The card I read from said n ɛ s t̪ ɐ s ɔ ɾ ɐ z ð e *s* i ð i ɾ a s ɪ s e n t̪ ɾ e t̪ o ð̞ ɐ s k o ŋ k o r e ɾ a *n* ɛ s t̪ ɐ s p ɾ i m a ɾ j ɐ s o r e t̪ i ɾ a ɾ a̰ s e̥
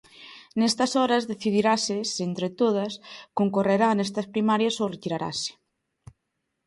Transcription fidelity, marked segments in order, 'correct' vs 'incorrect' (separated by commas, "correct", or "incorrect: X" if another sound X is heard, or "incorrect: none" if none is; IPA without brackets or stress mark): incorrect: θ, correct